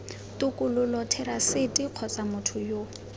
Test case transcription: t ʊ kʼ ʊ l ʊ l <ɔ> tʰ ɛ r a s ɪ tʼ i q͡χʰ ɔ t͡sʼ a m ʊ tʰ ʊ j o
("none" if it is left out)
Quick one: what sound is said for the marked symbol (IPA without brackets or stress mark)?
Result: ɔ